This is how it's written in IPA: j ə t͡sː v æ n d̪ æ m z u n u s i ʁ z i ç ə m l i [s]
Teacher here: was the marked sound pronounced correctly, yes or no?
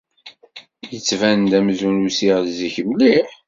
no